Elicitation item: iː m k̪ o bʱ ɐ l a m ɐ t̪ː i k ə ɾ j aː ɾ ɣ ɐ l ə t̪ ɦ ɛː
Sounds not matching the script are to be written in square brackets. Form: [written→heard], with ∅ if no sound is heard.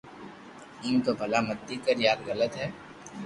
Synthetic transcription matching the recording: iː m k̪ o bʱ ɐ l a m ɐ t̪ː i k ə ɾ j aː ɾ ɣ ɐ l ə t̪ ɦ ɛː